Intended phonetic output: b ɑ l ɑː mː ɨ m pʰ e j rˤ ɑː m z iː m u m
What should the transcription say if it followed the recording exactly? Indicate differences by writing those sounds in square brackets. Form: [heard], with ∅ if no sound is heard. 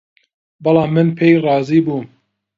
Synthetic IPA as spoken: b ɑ l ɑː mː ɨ [n] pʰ e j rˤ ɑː [∅] z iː [b] u m